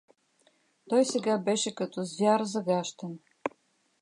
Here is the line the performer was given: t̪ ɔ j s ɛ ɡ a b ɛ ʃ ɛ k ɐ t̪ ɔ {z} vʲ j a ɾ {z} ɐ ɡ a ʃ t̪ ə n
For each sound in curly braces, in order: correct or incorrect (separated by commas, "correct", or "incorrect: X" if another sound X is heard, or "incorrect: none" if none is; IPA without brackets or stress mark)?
correct, correct